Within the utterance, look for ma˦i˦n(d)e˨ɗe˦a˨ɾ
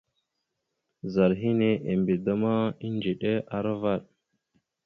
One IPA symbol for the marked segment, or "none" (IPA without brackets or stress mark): d͡ʒ